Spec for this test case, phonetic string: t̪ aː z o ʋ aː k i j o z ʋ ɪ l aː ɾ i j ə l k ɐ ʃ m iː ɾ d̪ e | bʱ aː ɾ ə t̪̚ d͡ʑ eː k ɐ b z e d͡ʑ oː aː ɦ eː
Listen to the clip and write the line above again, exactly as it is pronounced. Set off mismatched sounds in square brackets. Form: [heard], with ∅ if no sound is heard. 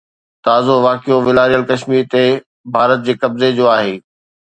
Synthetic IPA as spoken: t̪ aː z o ʋ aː k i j o [∅] ʋ ɪ l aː ɾ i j ə l k ɐ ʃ m iː ɾ [t̪] e | bʱ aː ɾ ə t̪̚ d͡ʑ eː k ɐ b z e d͡ʑ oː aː ɦ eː